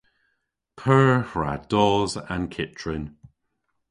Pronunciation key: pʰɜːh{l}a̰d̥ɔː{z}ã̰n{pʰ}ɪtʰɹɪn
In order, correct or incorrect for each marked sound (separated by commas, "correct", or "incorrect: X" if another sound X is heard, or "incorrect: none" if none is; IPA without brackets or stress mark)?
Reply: incorrect: ɹ, correct, incorrect: kʰ